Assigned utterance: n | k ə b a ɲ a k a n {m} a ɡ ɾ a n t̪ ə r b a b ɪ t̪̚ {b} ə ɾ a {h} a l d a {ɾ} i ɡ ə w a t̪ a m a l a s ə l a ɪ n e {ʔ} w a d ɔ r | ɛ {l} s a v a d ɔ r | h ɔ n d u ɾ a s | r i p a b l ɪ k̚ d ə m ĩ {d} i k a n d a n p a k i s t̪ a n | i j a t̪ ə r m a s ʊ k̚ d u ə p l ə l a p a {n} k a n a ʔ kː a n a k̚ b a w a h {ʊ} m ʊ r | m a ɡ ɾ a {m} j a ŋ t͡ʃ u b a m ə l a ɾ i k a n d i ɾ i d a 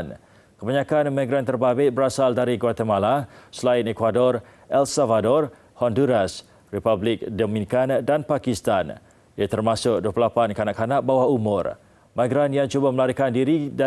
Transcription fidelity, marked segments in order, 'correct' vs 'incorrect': correct, correct, incorrect: s, correct, incorrect: k, correct, incorrect: n, correct, incorrect: u, incorrect: n

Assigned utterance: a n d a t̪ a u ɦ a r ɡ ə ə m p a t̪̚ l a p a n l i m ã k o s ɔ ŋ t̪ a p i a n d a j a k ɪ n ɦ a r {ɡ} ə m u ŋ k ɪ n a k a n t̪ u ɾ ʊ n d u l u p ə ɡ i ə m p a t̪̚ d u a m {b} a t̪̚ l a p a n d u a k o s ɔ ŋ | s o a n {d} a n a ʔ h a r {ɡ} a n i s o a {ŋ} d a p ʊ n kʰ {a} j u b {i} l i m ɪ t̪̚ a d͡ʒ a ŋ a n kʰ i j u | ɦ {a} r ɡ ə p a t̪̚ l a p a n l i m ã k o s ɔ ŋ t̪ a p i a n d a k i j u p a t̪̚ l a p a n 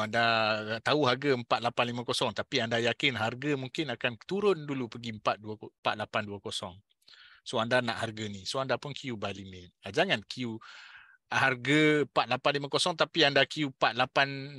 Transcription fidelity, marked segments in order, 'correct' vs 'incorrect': correct, incorrect: p, correct, correct, incorrect: n, incorrect: i, incorrect: a, correct

